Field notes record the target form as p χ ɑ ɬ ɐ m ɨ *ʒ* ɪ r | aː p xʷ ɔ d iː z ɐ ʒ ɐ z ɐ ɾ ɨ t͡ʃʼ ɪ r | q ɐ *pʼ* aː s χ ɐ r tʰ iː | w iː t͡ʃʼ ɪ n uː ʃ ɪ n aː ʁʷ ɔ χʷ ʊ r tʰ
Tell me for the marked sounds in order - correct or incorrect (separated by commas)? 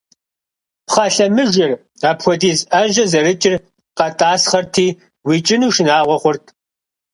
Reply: correct, incorrect